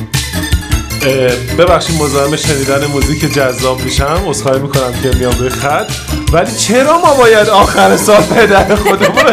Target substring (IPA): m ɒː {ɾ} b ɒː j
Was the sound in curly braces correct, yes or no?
no